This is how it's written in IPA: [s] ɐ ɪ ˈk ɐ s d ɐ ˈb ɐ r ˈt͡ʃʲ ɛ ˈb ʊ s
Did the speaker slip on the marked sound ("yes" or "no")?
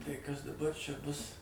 yes